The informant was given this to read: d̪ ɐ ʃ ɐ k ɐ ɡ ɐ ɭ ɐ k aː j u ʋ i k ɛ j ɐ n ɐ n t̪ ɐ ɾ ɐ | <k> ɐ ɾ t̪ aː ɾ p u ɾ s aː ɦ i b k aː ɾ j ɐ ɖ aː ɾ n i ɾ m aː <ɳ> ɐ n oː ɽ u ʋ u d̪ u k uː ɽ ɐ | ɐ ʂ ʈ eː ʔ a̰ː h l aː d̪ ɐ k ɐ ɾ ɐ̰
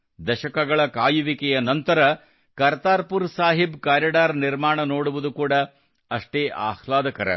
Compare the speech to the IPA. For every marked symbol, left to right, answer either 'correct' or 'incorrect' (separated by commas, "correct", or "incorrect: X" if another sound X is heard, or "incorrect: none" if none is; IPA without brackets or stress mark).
correct, correct